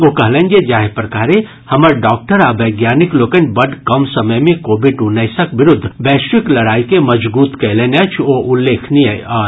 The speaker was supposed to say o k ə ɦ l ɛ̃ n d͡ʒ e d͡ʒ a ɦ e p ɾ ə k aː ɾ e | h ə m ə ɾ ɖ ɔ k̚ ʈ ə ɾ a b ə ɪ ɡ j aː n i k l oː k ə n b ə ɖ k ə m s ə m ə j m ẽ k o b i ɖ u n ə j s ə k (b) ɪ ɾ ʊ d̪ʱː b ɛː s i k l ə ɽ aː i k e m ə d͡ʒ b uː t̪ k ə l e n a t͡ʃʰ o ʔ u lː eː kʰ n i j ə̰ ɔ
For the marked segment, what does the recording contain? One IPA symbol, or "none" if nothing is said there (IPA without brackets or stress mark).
b